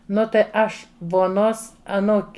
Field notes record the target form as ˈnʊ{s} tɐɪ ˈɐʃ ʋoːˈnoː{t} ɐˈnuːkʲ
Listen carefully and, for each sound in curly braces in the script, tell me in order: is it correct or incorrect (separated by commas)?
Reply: incorrect, incorrect